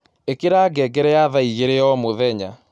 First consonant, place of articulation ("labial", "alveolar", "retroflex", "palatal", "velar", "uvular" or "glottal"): velar